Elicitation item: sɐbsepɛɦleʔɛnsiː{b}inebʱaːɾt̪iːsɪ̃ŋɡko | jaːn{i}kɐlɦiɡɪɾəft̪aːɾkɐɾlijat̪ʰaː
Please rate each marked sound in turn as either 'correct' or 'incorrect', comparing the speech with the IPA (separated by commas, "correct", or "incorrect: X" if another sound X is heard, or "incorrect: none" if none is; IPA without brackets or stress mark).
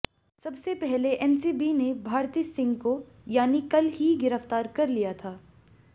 correct, correct